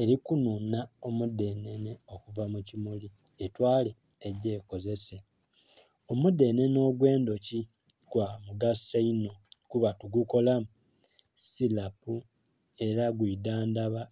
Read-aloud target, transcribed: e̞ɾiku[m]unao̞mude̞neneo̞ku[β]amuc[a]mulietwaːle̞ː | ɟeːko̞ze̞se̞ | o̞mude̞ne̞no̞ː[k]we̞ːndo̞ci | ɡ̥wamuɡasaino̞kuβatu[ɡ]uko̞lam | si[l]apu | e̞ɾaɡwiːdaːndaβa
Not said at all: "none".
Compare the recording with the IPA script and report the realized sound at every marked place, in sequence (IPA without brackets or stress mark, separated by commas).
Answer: n, v, i, ɡ, ɡ, l